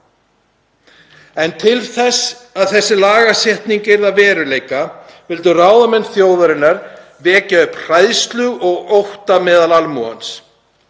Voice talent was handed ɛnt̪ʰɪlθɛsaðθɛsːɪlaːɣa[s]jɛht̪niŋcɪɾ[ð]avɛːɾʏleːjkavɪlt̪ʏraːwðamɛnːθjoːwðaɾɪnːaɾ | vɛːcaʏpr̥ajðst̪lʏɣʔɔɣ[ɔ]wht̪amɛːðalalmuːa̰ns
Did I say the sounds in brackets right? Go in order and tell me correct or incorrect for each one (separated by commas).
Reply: correct, correct, incorrect